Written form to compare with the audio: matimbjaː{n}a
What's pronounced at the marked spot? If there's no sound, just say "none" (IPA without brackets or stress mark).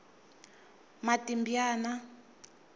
n